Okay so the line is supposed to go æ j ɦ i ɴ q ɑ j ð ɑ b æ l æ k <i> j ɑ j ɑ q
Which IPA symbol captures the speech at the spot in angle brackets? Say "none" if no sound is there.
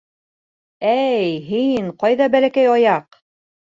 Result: æ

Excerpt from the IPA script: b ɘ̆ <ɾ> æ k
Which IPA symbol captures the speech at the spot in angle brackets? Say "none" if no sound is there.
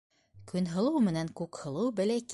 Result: l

